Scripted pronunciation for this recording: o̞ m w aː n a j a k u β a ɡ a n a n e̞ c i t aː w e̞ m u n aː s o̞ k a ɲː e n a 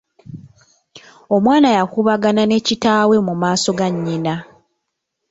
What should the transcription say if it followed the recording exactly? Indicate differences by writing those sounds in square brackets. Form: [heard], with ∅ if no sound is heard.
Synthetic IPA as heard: o̞ m w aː n a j a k u β a ɡ a n a n e̞ c i t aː w e̞ m u [m] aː s o̞ [ɡ] a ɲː [i] n a